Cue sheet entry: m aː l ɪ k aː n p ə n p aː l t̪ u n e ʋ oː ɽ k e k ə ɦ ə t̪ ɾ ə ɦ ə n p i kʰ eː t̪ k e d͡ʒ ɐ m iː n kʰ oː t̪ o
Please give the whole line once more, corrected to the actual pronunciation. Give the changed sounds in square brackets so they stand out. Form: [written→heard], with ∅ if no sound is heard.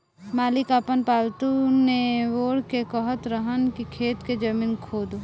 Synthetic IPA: m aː l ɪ k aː [n→∅] p ə n p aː l t̪ u n e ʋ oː ɽ k e k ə ɦ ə t̪ ɾ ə ɦ ə n [p→k] i kʰ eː t̪ k e d͡ʒ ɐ m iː n kʰ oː [t̪→d̪] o